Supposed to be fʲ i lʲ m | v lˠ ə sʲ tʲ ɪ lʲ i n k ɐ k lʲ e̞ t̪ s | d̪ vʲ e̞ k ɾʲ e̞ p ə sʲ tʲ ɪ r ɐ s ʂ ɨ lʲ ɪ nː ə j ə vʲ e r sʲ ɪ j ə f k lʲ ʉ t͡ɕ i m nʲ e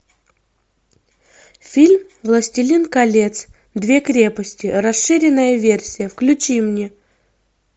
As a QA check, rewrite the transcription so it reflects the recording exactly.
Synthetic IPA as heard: fʲ i lʲ m | v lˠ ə sʲ tʲ ɪ lʲ i n k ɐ lʲ e̞ t̪ s | d̪ vʲ e̞ k ɾʲ e̞ p ə sʲ tʲ ɪ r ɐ s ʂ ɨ ɾʲ ɪ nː ə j ə vʲ e r sʲ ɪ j ə f k lʲ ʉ t͡ɕ i m nʲ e